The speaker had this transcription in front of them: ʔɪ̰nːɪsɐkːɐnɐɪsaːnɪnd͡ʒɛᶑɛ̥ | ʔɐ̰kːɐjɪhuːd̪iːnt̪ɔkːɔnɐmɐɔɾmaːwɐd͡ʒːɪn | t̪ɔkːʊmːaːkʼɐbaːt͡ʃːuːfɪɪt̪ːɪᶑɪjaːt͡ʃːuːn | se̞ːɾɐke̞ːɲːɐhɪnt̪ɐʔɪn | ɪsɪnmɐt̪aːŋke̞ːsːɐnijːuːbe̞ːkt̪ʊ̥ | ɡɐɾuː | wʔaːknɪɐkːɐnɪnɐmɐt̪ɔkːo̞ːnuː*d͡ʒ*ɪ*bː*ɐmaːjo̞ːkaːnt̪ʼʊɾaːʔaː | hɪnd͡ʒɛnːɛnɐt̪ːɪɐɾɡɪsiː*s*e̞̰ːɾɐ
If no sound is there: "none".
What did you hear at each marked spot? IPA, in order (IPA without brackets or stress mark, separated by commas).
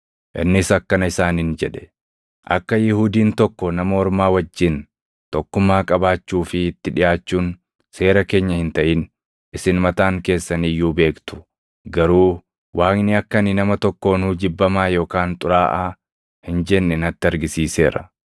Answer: d͡ʒ, bː, s